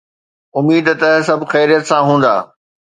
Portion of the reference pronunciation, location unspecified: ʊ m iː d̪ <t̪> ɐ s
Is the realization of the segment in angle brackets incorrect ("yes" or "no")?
no